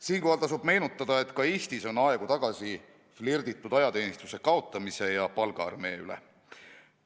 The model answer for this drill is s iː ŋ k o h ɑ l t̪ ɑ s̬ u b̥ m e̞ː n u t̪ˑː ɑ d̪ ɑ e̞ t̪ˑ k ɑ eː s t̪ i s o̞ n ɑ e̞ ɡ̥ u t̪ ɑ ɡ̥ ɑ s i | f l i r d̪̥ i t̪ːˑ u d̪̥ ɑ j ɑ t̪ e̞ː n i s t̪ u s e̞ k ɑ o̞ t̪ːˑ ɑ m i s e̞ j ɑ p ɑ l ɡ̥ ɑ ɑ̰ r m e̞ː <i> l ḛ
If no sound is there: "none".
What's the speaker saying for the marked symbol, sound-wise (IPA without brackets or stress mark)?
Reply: y